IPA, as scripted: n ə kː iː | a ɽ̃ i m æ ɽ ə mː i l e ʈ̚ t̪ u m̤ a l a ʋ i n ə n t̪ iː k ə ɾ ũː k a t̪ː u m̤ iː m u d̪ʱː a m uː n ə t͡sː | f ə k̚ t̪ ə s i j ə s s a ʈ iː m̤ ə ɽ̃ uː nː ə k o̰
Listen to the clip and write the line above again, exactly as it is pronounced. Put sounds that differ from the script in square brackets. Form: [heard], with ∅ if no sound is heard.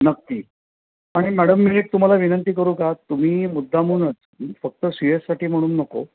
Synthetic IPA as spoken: n ə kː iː | a ɽ̃ i m æ ɽ ə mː i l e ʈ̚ t̪ u m̤ a l a ʋ i n ə n t̪ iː k ə ɾ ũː k a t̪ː u m̤ iː m u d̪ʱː a m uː n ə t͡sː | f ə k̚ t̪ ə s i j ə s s a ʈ iː m̤ ə ɽ̃ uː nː ə k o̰